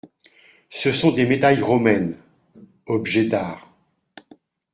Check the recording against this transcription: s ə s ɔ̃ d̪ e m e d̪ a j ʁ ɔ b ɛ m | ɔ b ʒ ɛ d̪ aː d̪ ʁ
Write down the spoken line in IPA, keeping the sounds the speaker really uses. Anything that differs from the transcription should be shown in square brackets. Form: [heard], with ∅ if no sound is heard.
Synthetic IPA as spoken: s ə s ɔ̃ d̪ e m e d̪ a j ʁ ɔ [m] ɛ [n] | ɔ b ʒ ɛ d̪ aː [∅] ʁ